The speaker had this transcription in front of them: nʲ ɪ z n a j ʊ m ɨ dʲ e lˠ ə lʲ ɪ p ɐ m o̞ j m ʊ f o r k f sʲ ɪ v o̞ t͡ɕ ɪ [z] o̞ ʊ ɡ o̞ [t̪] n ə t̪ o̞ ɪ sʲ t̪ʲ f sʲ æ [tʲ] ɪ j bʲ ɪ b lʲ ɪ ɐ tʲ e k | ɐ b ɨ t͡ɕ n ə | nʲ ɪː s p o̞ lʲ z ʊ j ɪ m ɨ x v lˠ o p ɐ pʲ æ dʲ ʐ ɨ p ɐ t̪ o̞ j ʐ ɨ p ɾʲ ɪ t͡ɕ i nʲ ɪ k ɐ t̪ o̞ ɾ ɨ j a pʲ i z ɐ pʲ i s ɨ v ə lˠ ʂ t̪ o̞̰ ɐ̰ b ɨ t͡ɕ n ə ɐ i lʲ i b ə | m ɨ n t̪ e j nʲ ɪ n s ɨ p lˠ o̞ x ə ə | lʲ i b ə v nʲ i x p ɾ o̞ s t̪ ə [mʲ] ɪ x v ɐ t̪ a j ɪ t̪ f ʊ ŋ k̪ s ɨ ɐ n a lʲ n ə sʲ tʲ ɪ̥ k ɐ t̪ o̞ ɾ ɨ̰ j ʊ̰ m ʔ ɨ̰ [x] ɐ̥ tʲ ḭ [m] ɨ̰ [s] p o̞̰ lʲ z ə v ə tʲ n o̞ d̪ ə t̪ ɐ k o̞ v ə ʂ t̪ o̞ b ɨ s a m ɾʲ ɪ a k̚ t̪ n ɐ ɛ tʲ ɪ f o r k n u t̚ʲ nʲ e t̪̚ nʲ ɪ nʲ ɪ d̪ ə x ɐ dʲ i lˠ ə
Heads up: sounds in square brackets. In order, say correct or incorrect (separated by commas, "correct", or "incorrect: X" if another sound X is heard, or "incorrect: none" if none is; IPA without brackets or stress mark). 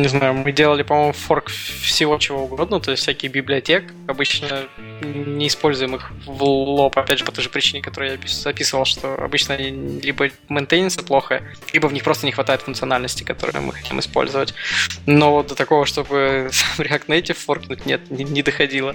incorrect: v, incorrect: d̪, incorrect: kʲ, incorrect: nʲ, correct, correct, correct